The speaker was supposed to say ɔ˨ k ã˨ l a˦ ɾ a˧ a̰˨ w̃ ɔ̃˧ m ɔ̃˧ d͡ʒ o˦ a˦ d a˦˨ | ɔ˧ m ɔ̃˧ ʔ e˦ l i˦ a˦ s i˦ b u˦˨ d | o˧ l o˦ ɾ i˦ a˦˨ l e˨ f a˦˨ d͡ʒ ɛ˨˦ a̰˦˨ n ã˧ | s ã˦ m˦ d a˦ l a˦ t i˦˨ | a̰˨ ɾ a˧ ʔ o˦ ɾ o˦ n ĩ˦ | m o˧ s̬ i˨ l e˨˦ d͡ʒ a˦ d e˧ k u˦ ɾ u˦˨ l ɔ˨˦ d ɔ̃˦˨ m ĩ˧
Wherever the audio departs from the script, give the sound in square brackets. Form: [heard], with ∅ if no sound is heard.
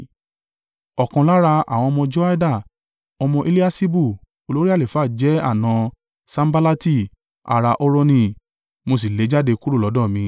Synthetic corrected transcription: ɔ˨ k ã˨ l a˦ ɾ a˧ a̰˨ w̃ ɔ̃˧ m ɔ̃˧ d͡ʒ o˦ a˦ d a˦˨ | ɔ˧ m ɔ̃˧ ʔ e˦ l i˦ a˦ s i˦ b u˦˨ [∅] | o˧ l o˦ ɾ i˦ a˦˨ l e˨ f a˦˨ d͡ʒ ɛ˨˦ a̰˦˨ n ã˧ | s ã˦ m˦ [b] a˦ l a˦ t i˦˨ | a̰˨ ɾ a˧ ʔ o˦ ɾ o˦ n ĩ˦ | m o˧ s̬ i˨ l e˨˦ d͡ʒ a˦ d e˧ k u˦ ɾ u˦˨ l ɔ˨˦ d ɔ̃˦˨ m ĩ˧